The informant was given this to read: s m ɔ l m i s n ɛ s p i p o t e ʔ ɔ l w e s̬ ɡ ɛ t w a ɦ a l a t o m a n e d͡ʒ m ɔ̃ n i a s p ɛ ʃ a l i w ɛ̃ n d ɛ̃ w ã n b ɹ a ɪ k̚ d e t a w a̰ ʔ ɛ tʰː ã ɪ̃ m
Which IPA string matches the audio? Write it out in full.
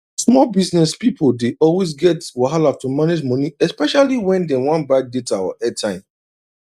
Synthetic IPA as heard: s m ɔ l b i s n ɛ s p i p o d e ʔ ɔ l w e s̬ ɡ ɛ t w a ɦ a l a t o m a n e d͡ʒ m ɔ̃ n i ɛ s p ɛ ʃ a l i w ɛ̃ n d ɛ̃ w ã n b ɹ a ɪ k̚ d e t a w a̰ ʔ ɛ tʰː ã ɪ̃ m

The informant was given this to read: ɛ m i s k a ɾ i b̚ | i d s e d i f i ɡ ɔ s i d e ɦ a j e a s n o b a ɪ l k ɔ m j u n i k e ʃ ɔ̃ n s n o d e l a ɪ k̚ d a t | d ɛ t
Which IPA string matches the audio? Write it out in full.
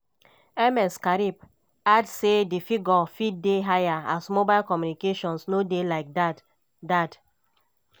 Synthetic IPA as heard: ɛ m ɛ s k a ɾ i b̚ | a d s e d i f i ɡ ɔ f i d e ɦ a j a a s m o b a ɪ l k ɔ m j u n i k e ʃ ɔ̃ n s n o d e l a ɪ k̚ d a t | d a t

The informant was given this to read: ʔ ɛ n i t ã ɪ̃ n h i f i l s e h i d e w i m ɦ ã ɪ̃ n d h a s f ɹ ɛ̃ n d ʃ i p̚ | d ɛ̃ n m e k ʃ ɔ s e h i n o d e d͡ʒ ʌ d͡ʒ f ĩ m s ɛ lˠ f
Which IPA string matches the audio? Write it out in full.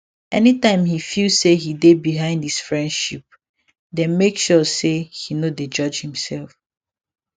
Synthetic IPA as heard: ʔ ɛ n i t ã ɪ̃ m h i f i l s e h i d e b i ɦ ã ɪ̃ n d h i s f ɹ ɛ̃ n d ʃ i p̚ | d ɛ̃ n m e k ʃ ɔ s e h i n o d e d͡ʒ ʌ d͡ʒ h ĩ m s ɛ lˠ f

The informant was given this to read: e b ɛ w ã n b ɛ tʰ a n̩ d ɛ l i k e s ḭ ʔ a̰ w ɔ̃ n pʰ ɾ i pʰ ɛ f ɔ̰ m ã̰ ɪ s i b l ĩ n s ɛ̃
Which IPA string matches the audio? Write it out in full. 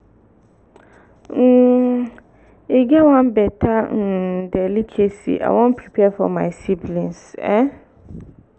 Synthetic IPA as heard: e ɡ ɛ w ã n b ɛ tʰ a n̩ d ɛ l i kʰ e s ḭ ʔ a̰ w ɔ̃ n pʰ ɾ i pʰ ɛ f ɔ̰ m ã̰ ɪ s i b l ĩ n s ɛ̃

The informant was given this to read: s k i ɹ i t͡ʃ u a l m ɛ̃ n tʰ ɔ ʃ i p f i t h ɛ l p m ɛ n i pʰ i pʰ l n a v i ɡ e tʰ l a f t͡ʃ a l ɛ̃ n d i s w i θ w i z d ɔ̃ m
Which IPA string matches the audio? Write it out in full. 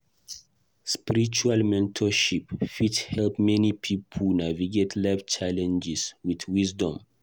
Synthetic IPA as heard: s p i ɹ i t͡ʃ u a l m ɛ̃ n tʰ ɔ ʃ i p f i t h ɛ l p m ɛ n i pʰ i pʰ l n a v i ɡ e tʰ l a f t͡ʃ a l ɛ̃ n d͡ʒ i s w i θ w i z d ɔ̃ m

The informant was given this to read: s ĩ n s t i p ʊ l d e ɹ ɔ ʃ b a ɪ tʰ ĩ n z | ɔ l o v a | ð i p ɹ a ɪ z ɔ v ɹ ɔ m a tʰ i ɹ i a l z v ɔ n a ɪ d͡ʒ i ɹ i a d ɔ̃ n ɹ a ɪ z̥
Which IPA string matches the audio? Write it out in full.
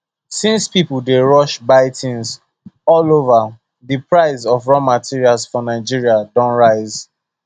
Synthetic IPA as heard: s ĩ n s p i p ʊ l d e ɹ ɔ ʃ b a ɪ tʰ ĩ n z | ɔ l o v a | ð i p ɹ a ɪ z ɔ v ɹ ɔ m a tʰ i ɹ i a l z f ɔ n a ɪ d͡ʒ i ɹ i a d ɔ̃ n ɹ a ɪ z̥

